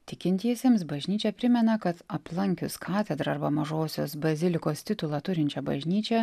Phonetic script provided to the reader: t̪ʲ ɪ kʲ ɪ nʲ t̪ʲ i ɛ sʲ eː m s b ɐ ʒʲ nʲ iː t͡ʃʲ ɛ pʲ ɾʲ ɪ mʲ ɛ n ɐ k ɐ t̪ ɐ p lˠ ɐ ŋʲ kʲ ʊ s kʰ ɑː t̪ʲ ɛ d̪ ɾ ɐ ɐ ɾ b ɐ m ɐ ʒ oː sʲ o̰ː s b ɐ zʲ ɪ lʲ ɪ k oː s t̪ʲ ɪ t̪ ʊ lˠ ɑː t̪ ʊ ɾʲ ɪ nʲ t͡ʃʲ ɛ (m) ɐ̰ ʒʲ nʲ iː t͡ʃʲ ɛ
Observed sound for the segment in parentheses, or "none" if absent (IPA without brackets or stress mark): b